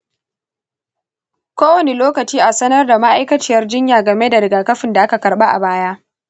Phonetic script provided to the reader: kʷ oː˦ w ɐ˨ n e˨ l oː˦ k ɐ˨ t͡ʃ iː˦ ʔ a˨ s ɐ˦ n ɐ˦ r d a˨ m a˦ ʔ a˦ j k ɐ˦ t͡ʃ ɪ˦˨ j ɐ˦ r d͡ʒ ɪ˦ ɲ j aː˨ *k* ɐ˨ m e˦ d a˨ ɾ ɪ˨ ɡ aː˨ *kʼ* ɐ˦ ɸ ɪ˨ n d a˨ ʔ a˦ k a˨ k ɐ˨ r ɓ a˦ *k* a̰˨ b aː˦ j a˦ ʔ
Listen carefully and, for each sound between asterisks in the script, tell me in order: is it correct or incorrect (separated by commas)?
incorrect, incorrect, incorrect